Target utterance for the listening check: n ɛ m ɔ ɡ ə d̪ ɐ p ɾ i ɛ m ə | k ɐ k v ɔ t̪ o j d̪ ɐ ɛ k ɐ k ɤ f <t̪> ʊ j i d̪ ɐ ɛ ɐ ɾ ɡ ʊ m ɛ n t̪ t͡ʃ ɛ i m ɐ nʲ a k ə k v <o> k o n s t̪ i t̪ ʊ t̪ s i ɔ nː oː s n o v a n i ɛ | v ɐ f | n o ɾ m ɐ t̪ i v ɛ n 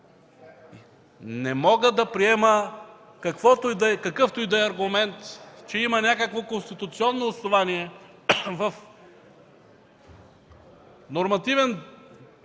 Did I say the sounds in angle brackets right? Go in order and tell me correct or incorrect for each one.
correct, correct

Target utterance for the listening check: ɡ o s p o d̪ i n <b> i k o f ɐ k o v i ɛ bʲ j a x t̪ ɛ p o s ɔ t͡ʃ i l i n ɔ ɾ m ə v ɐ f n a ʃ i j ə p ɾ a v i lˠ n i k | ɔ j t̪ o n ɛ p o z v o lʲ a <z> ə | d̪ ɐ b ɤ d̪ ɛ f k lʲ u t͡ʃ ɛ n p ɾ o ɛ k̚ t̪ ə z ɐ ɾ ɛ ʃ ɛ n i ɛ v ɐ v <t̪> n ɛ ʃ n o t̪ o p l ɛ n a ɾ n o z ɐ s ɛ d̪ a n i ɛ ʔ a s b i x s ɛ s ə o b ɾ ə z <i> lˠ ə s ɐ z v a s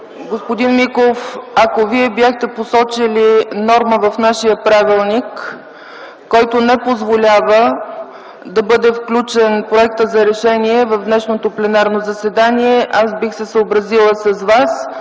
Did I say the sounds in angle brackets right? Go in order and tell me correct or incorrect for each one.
incorrect, incorrect, incorrect, correct

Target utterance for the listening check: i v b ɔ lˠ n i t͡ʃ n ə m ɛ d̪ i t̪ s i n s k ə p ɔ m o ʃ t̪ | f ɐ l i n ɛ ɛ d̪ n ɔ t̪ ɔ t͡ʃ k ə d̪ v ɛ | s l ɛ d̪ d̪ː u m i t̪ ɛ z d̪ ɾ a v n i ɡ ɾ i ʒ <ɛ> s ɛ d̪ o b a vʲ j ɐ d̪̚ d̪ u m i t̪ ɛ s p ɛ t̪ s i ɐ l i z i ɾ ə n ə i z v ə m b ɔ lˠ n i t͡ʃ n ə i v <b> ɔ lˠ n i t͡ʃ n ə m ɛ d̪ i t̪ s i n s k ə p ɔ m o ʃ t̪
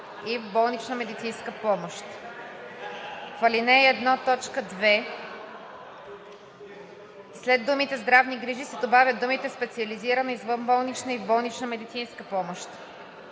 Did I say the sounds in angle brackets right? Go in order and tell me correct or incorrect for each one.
incorrect, correct

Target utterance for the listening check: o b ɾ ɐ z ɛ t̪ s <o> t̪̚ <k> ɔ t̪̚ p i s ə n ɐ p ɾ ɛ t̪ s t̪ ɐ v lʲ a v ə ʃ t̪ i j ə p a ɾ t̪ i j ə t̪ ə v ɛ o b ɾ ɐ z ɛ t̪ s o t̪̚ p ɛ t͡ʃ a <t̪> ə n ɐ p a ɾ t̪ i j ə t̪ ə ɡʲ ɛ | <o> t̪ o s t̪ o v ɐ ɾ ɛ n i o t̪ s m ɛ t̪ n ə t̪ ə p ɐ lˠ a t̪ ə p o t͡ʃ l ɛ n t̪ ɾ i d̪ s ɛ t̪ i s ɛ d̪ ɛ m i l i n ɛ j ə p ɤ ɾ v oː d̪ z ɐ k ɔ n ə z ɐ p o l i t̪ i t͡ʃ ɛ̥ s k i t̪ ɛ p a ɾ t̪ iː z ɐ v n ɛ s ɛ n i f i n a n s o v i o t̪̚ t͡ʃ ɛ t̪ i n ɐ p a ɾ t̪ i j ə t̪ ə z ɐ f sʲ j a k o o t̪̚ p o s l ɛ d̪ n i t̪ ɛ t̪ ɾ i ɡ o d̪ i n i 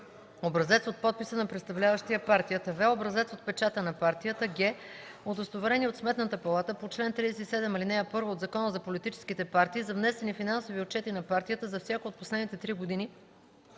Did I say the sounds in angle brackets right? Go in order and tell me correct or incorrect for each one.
correct, incorrect, correct, correct

